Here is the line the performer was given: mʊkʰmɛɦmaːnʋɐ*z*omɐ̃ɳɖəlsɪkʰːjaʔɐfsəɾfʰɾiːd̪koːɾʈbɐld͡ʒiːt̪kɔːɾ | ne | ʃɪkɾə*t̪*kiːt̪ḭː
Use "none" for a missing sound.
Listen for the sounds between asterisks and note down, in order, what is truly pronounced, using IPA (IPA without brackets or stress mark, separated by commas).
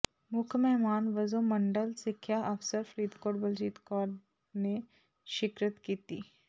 z, t̪